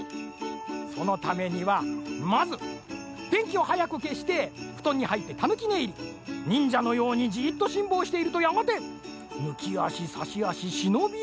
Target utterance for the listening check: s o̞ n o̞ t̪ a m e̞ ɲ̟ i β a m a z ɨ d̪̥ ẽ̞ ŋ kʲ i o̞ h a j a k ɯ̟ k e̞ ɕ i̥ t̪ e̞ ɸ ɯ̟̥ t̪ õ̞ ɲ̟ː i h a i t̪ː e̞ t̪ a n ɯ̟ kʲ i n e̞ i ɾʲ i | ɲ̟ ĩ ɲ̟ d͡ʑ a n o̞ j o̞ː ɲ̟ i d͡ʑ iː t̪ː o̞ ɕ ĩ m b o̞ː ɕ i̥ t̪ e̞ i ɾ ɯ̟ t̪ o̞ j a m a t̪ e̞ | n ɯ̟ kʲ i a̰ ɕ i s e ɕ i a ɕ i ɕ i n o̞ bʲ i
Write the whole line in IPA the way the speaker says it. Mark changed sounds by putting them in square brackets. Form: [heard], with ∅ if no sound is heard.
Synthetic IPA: s o̞ n o̞ t̪ a m e̞ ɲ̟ i β a m a z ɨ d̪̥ ẽ̞ ŋ kʲ i o̞ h a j a k ɯ̟ k e̞ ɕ i̥ t̪ e̞ ɸ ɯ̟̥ t̪ õ̞ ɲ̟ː i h a i t̪ː e̞ t̪ a n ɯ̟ kʲ i n e̞ i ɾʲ i | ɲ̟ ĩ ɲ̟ d͡ʑ a n o̞ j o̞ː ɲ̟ i d͡ʑ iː t̪ː o̞ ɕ ĩ m b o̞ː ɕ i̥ t̪ e̞ i ɾ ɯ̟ t̪ o̞ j a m a t̪ e̞ | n ɯ̟ kʲ i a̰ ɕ i s [a] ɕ i a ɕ i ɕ i n o̞ bʲ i